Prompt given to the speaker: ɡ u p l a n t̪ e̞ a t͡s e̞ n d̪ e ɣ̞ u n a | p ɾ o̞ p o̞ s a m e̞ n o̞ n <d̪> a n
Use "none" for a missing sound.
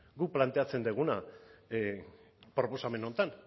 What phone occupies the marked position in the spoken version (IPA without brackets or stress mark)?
t̪